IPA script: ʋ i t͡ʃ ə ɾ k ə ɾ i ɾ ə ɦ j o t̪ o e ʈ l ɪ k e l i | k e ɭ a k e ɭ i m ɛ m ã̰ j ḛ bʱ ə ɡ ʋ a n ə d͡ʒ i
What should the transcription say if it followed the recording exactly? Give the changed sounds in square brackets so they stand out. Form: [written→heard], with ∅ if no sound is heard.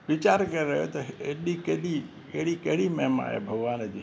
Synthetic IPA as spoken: ʋ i t͡ʃ [ə→a] ɾ k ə ɾ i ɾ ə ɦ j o t̪ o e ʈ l [ɪ→i] k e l i | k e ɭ [a→i] k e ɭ i m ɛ m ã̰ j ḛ bʱ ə ɡ ʋ a n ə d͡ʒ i